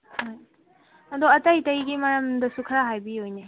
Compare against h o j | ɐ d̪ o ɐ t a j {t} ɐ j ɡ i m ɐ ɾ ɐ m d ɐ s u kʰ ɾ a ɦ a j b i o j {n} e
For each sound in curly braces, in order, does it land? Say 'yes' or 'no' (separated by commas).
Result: yes, yes